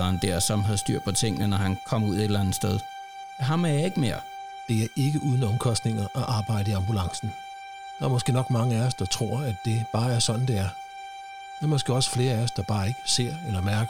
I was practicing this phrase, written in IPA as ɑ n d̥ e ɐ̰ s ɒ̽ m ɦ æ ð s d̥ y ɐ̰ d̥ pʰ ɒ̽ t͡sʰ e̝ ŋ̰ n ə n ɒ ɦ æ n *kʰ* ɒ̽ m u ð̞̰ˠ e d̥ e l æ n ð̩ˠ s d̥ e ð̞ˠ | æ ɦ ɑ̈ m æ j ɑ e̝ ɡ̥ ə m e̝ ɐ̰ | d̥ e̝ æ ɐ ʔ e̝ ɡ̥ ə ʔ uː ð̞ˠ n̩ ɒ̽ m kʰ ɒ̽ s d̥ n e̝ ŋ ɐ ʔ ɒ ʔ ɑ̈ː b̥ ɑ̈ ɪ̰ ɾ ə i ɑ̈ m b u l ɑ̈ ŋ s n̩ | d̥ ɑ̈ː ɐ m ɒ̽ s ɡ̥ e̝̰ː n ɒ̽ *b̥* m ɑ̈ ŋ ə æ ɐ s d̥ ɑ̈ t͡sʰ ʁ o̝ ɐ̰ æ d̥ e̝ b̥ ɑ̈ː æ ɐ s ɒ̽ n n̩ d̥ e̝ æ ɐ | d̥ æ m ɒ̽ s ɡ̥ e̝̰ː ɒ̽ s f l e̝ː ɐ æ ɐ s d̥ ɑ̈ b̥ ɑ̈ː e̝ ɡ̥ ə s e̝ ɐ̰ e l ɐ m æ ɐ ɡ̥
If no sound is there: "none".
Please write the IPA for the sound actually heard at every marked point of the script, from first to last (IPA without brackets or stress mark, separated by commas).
kʰ, ɡ̥